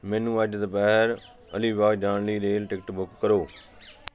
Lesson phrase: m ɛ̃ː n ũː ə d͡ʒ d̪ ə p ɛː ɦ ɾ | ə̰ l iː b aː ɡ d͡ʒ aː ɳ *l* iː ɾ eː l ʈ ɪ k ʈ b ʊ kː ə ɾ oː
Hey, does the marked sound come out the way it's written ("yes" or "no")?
yes